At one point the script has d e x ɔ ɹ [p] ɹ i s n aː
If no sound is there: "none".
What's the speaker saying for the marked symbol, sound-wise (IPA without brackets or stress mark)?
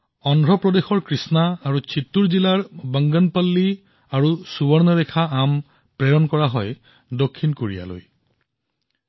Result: k